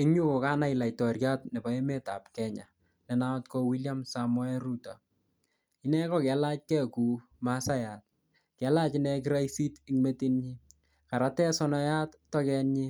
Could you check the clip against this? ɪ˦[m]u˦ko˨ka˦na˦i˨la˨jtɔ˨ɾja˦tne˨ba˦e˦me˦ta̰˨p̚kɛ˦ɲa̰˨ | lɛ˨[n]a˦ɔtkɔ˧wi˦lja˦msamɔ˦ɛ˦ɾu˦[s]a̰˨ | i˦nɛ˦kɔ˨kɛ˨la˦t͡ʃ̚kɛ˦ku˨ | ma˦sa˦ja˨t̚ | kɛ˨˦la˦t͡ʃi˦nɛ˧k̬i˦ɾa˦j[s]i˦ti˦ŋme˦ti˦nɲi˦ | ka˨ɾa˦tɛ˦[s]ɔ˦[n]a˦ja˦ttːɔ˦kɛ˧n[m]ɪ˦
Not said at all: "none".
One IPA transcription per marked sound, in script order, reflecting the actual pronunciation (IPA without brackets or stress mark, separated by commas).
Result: ɲ, n, t, s, s, n, ɲ